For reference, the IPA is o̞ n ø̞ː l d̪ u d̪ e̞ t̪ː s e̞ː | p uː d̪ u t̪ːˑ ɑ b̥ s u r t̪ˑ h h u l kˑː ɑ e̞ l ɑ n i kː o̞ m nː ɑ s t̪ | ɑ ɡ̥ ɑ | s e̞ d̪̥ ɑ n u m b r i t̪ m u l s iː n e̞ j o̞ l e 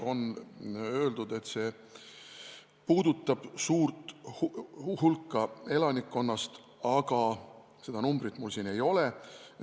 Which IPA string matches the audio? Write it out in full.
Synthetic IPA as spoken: o̞ n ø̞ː l d̪ u d̪ e̞ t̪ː s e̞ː | p uː d̪ u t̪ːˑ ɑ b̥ s uː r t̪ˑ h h u l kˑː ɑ e̞ l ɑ n i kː o̞ nː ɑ s t̪ | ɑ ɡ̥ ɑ | s e̞ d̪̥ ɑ n u m b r i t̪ m u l s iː n e̞ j o̞ l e